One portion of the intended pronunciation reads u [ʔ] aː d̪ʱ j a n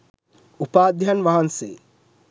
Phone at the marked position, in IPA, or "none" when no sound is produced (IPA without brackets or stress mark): p